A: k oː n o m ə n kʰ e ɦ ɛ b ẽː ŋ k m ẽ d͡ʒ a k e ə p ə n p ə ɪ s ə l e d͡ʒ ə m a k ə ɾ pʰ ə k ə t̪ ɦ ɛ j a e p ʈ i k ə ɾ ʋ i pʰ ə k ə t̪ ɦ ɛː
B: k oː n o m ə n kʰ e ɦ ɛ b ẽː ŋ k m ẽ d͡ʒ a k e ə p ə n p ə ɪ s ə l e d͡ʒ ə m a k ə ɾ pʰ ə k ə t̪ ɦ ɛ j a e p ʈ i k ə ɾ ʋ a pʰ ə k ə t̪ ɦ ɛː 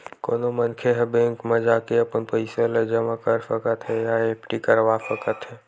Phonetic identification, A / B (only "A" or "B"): B